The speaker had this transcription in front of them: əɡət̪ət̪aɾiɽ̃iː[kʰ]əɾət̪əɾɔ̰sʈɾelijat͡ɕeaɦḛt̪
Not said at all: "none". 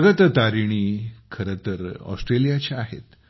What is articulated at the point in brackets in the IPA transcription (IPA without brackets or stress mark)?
kʰ